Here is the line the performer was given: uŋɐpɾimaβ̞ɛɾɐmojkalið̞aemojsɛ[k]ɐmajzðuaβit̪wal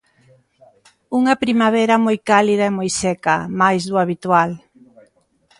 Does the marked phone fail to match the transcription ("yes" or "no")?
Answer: no